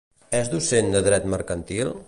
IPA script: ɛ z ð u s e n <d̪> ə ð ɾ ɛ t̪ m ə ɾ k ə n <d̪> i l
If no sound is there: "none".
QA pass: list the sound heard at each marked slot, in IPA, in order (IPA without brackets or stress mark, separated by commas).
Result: d̪, t̪